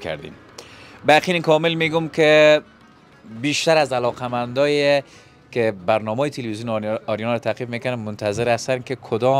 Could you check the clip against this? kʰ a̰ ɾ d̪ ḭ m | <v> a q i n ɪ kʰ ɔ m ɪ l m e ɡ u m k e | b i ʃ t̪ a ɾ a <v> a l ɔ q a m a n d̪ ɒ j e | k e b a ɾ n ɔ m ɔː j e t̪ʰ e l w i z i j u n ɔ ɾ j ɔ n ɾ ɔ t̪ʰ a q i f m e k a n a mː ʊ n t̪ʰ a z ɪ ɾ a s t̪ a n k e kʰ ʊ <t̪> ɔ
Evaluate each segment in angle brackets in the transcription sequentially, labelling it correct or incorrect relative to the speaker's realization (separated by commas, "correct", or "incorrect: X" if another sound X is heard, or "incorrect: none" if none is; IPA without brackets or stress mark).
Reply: incorrect: b, incorrect: z, incorrect: d̪